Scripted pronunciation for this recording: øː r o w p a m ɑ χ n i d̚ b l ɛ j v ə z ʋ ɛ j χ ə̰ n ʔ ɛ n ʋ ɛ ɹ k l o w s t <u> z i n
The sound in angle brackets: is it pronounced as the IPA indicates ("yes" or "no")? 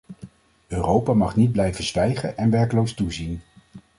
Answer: yes